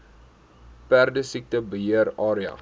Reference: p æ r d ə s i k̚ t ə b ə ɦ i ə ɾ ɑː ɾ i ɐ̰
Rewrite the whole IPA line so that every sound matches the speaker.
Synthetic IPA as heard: p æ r d ə s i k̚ t ə b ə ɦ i ə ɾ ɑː ɾ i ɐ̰

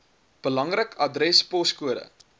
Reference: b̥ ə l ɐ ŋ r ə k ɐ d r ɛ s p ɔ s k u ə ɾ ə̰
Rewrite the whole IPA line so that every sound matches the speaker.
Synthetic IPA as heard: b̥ ə l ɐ ŋ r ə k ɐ d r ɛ s p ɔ s k u ə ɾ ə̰

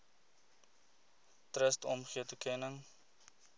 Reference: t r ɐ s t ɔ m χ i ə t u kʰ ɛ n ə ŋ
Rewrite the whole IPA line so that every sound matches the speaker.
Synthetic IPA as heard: t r ə s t ɔ m χ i ə t u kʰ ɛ n ə ŋ

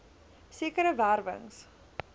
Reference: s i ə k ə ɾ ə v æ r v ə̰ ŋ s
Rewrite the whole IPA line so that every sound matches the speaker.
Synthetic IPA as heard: s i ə k ə ɾ ə v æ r v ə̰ ŋ s

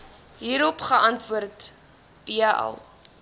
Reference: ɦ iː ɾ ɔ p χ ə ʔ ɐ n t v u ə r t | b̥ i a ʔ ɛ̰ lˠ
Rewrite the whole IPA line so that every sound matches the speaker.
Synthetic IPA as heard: ɦ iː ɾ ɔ p χ ə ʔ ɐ n t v u ə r t | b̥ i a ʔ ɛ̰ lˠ

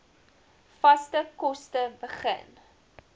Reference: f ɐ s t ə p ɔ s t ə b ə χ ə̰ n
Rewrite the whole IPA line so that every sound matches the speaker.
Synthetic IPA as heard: f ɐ s t ə k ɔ s t ə b ə χ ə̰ n

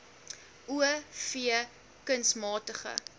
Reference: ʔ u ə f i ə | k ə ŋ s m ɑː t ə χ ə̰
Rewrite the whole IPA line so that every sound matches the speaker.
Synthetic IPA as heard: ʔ u ə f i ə | k ə n s m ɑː t ə χ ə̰

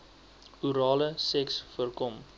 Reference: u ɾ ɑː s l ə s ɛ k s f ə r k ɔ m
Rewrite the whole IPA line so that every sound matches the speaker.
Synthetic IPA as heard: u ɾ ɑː l ə s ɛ k s f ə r k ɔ m

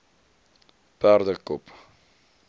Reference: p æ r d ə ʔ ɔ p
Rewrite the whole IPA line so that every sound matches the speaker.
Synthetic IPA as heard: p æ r d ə k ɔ p

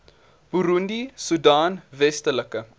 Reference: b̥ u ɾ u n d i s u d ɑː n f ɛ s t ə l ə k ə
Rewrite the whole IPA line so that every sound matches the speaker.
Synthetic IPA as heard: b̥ u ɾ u n d i s u d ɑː n v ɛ s t ə l ə k ə

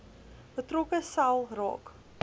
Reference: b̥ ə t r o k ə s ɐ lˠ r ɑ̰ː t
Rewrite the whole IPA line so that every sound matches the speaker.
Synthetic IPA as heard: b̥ ə t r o k ə s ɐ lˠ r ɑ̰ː k

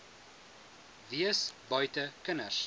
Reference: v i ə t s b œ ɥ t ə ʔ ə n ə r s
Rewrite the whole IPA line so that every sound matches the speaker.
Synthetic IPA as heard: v i ə s b œ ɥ t ə k ə n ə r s

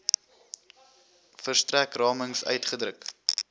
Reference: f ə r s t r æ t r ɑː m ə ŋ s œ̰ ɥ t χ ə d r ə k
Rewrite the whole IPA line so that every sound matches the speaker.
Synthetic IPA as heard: f ə r s t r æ k r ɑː m ə ŋ s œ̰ ɥ t χ ə d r ə k

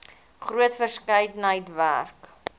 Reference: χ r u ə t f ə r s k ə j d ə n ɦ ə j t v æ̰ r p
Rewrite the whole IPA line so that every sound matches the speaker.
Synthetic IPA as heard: χ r u ə t f ə r s k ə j d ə n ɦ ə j t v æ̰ r k

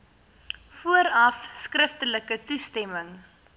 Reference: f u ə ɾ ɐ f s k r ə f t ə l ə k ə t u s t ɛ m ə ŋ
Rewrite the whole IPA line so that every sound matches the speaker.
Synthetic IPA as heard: f u ə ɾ ɐ f s k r ə f t ə l ə k ə t u s t ɛ m ə ŋ

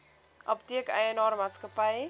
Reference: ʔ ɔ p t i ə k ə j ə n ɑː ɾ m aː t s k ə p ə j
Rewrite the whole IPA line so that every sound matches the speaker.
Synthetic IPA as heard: ʔ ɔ p t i ə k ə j ə n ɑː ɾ m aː t s k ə p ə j

